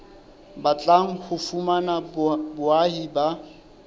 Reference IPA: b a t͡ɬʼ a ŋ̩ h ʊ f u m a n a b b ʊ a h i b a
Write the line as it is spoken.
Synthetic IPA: b a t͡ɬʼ a ŋ̩ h ʊ f u m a n a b b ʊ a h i b a